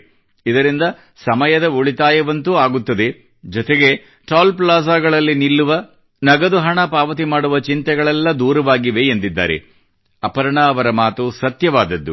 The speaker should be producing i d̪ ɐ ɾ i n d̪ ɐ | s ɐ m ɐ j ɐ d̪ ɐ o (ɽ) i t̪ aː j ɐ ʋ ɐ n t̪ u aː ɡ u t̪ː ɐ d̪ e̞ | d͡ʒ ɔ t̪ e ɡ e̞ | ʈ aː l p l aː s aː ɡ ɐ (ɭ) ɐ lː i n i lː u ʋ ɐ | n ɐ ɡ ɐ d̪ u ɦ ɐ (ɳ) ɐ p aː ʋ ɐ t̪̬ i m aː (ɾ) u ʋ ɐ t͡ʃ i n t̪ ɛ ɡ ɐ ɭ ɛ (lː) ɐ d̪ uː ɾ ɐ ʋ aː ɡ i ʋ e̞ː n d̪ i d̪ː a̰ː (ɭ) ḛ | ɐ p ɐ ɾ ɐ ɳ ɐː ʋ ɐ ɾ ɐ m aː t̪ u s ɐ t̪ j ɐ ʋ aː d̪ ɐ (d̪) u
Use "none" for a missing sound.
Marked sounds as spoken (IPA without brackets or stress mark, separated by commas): ɭ, ɭ, ɳ, ɽ, lː, ɾ, d̪ː